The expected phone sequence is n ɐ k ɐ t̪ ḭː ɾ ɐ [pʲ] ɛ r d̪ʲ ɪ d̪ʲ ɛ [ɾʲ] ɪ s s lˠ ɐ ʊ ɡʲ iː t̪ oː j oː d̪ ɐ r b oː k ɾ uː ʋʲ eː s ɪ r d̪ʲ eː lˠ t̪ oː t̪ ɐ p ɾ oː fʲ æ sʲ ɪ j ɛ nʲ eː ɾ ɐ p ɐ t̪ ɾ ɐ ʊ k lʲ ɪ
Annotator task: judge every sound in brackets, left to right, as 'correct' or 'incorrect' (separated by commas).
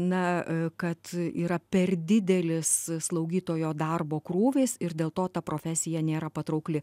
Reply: correct, incorrect